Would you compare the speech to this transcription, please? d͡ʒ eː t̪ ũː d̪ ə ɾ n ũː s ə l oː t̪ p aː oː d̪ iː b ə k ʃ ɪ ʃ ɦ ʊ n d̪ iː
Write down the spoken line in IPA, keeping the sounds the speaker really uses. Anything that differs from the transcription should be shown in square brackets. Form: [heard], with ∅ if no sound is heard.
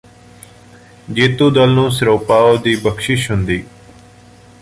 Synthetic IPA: d͡ʒ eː t̪ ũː d̪ ə [l] n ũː s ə [ɾ] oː [∅] p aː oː d̪ iː b ə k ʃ ɪ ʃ ɦ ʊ n d̪ iː